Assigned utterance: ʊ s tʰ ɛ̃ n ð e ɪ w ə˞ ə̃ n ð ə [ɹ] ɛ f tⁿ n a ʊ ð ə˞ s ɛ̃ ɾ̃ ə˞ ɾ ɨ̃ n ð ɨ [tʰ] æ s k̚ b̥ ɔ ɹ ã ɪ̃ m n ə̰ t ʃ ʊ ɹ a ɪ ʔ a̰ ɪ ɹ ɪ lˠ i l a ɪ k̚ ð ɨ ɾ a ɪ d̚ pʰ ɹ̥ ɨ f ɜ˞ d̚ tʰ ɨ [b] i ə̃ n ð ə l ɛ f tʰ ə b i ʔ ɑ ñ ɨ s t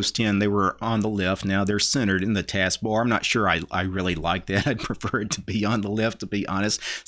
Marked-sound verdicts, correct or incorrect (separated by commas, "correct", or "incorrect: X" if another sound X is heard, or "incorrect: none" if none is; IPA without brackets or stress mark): incorrect: l, correct, correct